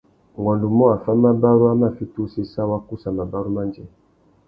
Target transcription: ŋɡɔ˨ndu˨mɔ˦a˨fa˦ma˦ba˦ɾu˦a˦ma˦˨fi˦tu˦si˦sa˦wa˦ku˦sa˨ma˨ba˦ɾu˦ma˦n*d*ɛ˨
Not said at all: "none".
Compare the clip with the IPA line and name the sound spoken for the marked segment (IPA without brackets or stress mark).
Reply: d͡ʒ